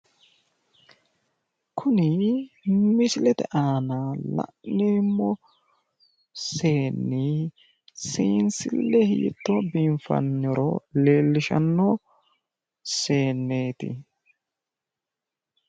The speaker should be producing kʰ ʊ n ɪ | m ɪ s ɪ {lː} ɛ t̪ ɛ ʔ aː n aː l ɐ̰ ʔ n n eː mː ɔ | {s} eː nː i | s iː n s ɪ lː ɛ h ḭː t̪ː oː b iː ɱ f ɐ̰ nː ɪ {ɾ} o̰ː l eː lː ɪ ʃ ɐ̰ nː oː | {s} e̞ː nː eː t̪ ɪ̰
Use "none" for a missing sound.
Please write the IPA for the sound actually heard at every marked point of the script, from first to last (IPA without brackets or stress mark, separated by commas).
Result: l, s, ɾ, s